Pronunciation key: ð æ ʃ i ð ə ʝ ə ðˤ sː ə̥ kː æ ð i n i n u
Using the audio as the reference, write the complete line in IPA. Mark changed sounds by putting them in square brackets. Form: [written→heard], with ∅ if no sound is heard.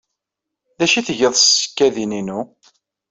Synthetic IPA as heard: ð æ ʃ i [ð→θ] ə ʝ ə ðˤ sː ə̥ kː æ ð i n i n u